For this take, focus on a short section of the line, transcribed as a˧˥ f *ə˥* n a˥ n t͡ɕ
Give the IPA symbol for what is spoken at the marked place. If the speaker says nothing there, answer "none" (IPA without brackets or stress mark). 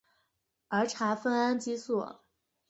ə˥